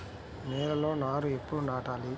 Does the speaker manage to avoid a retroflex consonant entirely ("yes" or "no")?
no